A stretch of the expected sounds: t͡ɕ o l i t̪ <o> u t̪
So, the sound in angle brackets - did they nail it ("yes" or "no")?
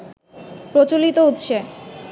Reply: yes